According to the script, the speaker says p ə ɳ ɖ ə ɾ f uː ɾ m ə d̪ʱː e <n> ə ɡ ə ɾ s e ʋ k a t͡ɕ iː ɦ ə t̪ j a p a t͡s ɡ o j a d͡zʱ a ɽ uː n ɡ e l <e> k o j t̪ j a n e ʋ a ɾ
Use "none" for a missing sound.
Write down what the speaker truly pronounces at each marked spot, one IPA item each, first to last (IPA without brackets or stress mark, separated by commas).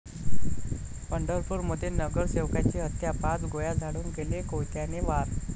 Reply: n, e